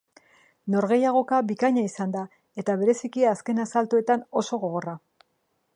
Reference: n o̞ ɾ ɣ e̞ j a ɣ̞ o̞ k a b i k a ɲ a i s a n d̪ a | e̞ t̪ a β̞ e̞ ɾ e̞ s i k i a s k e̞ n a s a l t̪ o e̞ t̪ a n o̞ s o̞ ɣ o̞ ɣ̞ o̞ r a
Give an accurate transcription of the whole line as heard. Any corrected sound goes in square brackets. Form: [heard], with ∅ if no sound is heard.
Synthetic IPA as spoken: n o̞ ɾ ɣ e̞ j a ɣ̞ o̞ k a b i k a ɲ a i s a n d̪ a | e̞ t̪ a β̞ e̞ ɾ e̞ s i k i a s k e̞ n a s a l t̪ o e̞ t̪ a n o̞ s o̞ ɣ o̞ ɣ̞ o̞ r a